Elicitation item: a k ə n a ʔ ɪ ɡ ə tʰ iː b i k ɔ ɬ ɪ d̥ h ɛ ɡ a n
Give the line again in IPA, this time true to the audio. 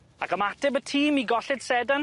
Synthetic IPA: a k ə m a t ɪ b ə tʰ iː m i ɡ ɔ ɬ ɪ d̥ s ɛ d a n